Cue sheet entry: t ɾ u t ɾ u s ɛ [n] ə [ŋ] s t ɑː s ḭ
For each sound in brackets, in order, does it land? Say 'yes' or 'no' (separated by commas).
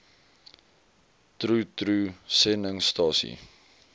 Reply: yes, yes